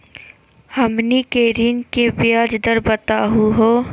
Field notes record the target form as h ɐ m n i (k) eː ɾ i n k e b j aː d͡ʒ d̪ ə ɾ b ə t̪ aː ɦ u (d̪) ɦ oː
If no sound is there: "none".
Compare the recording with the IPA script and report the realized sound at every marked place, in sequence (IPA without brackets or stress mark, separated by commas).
k, none